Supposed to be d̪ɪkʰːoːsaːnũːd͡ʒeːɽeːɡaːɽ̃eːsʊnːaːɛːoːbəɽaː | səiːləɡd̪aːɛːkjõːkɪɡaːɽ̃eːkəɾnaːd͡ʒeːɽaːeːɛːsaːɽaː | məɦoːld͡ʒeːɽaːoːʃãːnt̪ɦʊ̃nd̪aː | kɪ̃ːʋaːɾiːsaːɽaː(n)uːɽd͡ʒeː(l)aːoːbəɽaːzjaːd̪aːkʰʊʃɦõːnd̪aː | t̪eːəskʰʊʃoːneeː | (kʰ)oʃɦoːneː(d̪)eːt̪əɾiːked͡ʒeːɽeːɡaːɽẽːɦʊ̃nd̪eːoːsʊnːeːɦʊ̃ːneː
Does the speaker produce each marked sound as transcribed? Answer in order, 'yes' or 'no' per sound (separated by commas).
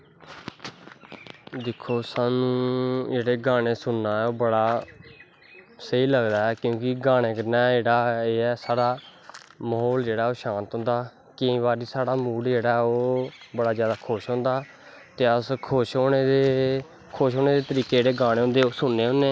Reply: no, no, yes, yes